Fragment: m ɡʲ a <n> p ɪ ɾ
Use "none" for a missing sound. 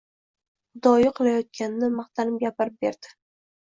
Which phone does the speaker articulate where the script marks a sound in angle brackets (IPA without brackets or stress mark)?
none